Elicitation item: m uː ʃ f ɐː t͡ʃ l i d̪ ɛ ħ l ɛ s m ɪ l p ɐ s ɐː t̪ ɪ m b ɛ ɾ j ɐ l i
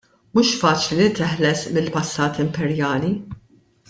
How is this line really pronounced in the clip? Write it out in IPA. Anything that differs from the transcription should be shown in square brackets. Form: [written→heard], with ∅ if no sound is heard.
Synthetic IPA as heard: m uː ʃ f ɐː t͡ʃ l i [d̪→t̪] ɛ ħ l ɛ s m ɪ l p ɐ [s→sː] ɐː t̪ ɪ m [b→p] ɛ ɾ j [ɐ→ɐː] l i